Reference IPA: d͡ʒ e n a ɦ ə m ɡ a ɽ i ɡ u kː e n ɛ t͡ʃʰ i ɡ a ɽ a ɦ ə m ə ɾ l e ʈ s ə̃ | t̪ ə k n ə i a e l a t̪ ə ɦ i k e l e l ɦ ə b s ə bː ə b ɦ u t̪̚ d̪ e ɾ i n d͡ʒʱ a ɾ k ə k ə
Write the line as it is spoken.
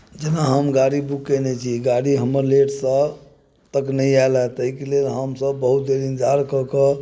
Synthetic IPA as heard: d͡ʒ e n a ɦ ə m ɡ a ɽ i b u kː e n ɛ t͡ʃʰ i ɡ a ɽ i ɦ ə m ə ɾ l e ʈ s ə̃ | t̪ ə k n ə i a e l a t̪ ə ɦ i k e l e l ɦ ə m s ə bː ə ɦ u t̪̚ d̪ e ɾ i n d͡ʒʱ a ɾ k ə k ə